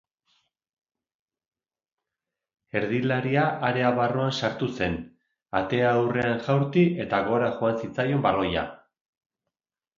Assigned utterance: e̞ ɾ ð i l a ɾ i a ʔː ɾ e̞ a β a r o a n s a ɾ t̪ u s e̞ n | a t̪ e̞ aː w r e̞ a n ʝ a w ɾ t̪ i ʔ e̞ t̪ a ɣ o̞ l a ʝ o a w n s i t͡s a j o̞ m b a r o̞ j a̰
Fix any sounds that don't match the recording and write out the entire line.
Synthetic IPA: e̞ ɾ ð i l a ɾ i a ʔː ɾ e̞ a β a r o a n s a ɾ t̪ u s e̞ n | a t̪ e̞ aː w r e̞ a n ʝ a w ɾ t̪ i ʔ e̞ t̪ a ɣ o̞ ɾ a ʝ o a n s i t͡s a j o̞ m b a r o̞ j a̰

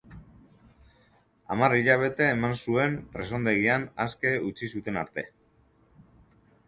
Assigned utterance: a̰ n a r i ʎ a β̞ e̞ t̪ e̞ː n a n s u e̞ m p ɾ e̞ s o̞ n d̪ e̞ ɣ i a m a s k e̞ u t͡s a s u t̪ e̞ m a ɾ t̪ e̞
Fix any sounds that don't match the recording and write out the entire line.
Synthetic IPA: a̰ m a r i ʎ a β̞ e̞ t̪ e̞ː m a n s u e̞ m p ɾ e̞ s o̞ n d̪ e̞ ɣ i a n a s k e̞ u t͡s i s u t̪ e̞ n a ɾ t̪ e̞

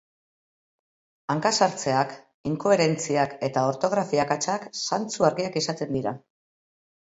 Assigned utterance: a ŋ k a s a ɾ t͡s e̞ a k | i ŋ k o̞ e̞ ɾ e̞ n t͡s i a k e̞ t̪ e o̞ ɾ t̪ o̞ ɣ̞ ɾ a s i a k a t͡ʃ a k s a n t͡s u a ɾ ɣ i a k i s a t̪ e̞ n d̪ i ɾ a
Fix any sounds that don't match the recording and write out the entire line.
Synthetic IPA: a ŋ k a s a ɾ t͡s e̞ a k | i ŋ k o̞ e̞ ɾ e̞ n t͡s i a k e̞ t̪ a o̞ ɾ t̪ o̞ ɣ̞ ɾ a f i a k a t͡ʃ a k s a n t͡s u a ɾ ɣ i a k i s a t̪ e̞ n d̪ i ɾ a

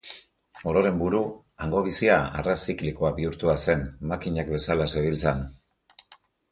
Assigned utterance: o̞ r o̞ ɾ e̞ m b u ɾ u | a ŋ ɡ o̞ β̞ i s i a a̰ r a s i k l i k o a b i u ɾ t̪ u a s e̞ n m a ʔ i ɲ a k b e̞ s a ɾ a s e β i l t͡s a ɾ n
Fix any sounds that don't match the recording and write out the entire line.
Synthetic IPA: o̞ ɾ o̞ ɾ e̞ m b u ɾ u | a ŋ ɡ o̞ β̞ i s i a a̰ r a s i k l i k o a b i u ɾ t̪ u a s e̞ n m a k i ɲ a k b e̞ s a l a s e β i l t͡s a n

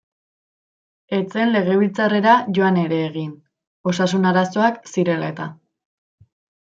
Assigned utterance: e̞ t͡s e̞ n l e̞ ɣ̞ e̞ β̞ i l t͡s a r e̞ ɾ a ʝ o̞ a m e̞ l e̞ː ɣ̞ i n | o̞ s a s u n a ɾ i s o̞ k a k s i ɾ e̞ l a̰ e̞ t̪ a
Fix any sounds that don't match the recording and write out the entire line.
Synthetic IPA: e̞ t͡s e̞ n l e̞ ɣ̞ e̞ β̞ i l t͡s a r e̞ ɾ a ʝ o̞ a n e̞ ɾ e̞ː ɣ̞ i n | o̞ s a s u n a ɾ a s o̞ a k s i ɾ e̞ l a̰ e̞ t̪ a

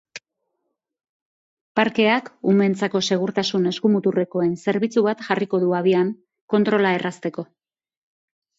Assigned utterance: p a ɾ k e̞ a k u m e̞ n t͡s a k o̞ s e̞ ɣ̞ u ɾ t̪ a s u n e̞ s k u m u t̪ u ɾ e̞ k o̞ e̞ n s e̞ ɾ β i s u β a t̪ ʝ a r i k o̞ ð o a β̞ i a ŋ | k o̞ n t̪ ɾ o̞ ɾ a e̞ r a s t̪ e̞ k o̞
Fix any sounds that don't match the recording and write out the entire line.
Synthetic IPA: p a ɾ k e̞ a k u m e̞ n t͡s a k o̞ s e̞ ɣ̞ u ɾ t̪ a s u n e̞ s k u m u t̪ u r e̞ k o̞ e̞ n s e̞ ɾ β i t͡s u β a t̪ ʝ a r i k o̞ ð u a β̞ i a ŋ | k o̞ n t̪ ɾ o̞ l a e̞ r a s t̪ e̞ k o̞

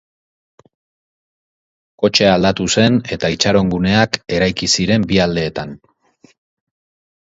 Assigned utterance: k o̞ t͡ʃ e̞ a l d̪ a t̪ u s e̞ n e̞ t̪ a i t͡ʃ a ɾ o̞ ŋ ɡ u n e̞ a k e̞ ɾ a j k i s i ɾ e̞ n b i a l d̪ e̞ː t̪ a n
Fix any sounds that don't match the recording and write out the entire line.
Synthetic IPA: k o̞ t͡ʃ e̞ a l d̪ a t̪ u s e̞ n e̞ t̪ a i t͡ʃ a ɾ o̞ ŋ ɡ u n e̞ a k e̞ ɾ a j k i s i ɾ e̞ m b i a l d̪ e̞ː t̪ a n

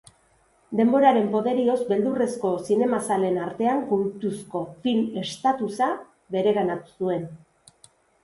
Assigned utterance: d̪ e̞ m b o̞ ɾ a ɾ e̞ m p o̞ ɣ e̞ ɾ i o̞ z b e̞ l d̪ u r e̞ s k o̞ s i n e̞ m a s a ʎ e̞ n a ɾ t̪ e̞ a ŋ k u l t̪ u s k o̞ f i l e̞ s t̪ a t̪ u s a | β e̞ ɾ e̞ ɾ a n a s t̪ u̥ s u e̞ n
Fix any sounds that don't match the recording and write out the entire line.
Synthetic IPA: d̪ e̞ m b o̞ ɾ a ɾ e̞ m p o̞ ð e̞ ɾ i o̞ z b e̞ l d̪ u r e̞ s k o̞ s i n e̞ m a s a l e̞ n a ɾ t̪ e̞ a ŋ k u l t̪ u s k o̞ f i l e̞ s t̪ a t̪ u s a | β e̞ ɾ e̞ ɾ a n a t̪ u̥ s u e̞ n

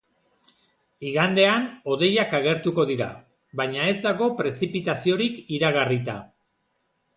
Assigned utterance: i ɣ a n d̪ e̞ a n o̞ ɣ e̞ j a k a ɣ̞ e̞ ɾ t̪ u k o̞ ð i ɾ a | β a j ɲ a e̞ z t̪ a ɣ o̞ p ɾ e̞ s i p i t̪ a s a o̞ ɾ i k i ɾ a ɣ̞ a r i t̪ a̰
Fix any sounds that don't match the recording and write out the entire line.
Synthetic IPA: i ɣ a n d̪ e̞ a n o̞ ð e̞ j a k a ɣ̞ e̞ ɾ t̪ u k o̞ ð i ɾ a | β a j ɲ a e̞ z d̪ a ɣ o̞ p ɾ e̞ s i p i t̪ a s i o̞ ɾ i k i ɾ a ɣ̞ a r i t̪ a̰

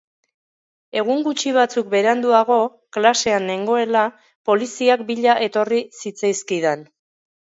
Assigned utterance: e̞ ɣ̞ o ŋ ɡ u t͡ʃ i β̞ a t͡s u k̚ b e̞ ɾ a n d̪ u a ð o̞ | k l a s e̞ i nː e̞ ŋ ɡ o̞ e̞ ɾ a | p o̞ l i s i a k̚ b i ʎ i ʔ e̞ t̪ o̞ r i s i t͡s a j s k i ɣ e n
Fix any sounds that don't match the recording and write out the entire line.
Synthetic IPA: e̞ ɣ̞ u ŋ ɡ u t͡ʃ i β̞ a t͡s u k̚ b e̞ ɾ a n d̪ u a ɣ o̞ | k l a s e̞ a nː e̞ ŋ ɡ o̞ e̞ l a | p o̞ l i s i a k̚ b i ʎ a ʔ e̞ t̪ o̞ r i s i t͡s a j s k i ð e n

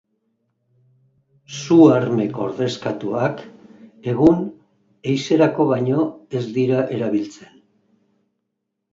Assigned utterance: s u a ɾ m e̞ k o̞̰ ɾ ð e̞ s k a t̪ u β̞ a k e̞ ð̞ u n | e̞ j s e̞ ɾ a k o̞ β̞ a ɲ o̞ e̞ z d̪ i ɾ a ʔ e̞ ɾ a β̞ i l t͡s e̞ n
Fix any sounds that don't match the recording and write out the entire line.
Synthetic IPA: s u a ɾ m e̞ k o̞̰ ɾ ð e̞ s k a t̪ u a k e̞ ɣ̞ u n | e̞ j s e̞ ɾ a k o̞ β̞ a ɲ o̞ e̞ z d̪ i ɾ a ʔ e̞ ɾ a β̞ i l t͡s e̞ n

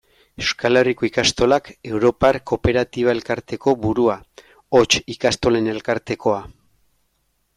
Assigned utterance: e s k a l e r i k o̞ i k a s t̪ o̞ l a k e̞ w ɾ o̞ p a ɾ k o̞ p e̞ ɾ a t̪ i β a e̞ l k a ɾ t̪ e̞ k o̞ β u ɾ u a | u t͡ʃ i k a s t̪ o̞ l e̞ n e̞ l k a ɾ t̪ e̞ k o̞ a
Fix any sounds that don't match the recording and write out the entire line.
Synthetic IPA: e s k a l e r i k o̞ i k a s t̪ o̞ l a k e̞ w ɾ o̞ p a ɾ k o̞ p e̞ ɾ a t̪ i β a e̞ l k a ɾ t̪ e̞ k o̞ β u ɾ u a | o t͡ʃ i k a s t̪ o̞ l e̞ n e̞ l k a ɾ t̪ e̞ k o̞ a

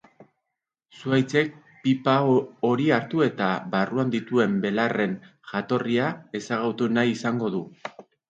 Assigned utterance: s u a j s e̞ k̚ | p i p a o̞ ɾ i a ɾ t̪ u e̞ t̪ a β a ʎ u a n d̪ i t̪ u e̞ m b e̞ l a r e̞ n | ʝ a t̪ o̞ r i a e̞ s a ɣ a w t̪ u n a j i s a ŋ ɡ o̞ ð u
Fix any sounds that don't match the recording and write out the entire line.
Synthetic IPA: s u a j t͡s e̞ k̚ | p i p a o̞ ɾ i a ɾ t̪ u e̞ t̪ a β a r u a n d̪ i t̪ u e̞ m b e̞ l a r e̞ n | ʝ a t̪ o̞ r i a e̞ s a ɣ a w t̪ u n a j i s a ŋ ɡ o̞ ð u

